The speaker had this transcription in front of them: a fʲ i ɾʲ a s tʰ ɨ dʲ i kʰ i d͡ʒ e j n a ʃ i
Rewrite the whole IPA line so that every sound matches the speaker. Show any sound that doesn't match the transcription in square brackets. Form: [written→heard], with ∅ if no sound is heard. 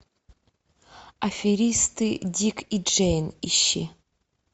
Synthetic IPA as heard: a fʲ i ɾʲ [a→i] s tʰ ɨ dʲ i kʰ i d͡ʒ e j n [a→i] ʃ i